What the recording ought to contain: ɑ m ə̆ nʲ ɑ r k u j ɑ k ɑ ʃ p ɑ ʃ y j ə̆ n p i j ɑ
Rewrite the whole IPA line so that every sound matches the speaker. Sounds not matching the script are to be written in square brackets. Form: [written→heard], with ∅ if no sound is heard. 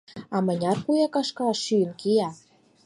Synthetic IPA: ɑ m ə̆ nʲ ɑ r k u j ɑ k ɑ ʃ [p→k] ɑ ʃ y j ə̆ n [p→k] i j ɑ